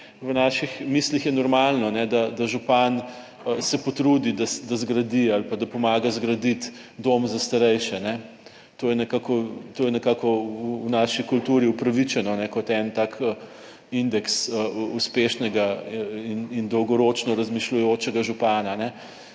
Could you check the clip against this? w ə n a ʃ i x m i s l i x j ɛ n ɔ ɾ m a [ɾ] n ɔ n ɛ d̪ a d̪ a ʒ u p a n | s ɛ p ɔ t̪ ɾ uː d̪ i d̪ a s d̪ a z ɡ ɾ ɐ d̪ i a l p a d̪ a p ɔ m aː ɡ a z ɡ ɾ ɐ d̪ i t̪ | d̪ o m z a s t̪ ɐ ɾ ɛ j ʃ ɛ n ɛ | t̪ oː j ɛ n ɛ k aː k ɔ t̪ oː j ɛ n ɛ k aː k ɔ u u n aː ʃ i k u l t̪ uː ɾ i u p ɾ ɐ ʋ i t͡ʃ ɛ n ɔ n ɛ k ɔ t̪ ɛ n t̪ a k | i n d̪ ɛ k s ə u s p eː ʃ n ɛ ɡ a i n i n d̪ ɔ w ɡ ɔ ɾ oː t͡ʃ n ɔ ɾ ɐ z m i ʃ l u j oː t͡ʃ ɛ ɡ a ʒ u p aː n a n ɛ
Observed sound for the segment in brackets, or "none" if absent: l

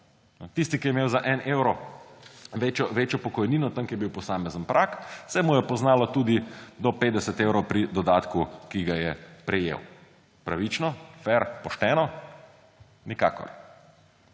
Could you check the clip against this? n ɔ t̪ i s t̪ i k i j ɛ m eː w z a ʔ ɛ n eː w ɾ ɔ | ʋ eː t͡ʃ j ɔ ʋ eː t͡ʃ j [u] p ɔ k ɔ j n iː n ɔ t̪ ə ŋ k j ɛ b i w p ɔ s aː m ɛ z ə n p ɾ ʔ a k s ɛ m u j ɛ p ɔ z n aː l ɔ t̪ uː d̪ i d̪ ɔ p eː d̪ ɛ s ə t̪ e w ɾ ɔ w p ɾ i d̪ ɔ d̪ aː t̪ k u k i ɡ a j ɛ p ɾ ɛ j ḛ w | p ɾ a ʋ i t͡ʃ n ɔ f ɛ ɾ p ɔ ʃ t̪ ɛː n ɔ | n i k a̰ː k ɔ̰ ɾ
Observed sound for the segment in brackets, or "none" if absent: ɔ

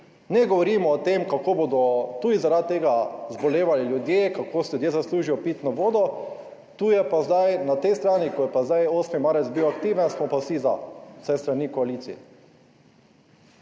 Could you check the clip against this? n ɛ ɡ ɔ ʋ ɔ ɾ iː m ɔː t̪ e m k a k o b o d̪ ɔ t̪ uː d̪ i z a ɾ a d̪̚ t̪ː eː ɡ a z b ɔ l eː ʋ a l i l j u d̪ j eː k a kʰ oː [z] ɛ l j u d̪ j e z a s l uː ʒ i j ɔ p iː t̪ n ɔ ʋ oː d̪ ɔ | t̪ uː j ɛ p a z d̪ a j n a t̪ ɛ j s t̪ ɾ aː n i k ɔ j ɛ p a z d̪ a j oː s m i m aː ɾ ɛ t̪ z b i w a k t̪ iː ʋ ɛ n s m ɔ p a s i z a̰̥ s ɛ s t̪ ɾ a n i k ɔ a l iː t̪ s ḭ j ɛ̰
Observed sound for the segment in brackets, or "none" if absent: s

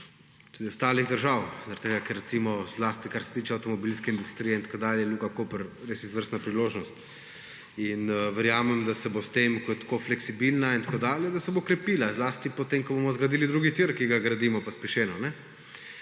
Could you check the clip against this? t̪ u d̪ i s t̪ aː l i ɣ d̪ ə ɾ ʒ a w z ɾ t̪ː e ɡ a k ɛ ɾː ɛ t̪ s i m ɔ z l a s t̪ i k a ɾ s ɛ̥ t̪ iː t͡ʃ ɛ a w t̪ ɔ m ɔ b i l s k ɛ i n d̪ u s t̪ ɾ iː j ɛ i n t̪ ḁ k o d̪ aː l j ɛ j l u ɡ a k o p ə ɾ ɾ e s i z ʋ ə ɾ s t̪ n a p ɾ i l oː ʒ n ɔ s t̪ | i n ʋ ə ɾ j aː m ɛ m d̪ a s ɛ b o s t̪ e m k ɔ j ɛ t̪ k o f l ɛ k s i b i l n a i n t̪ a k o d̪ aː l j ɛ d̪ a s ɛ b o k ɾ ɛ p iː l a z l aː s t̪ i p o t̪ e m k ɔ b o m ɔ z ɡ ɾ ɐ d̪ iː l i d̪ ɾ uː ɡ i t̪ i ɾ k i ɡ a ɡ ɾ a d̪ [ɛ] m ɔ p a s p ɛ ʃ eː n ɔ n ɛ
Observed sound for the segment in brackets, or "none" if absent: i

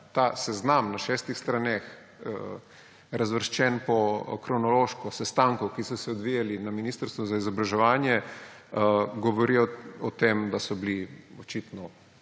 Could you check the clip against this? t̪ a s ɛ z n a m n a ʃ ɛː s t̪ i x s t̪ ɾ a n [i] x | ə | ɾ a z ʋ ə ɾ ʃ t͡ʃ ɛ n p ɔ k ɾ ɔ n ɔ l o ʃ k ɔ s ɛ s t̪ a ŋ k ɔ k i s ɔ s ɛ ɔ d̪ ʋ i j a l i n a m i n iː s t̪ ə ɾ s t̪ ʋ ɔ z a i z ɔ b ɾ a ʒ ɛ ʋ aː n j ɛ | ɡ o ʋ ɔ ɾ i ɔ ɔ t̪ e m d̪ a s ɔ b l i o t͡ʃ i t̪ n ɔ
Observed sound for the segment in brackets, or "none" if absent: e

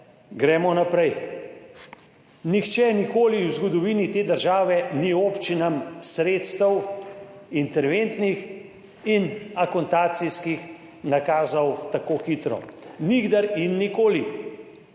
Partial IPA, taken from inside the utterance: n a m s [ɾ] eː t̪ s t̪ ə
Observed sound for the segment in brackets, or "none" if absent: ɾ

